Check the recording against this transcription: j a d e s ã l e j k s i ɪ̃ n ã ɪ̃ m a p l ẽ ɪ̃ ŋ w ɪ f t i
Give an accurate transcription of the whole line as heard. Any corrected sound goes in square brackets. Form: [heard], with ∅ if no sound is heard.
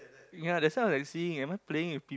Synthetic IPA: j a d [ɛ] s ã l [a] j k s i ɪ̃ [ŋ] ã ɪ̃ m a p l [e] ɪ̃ ŋ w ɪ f [p] i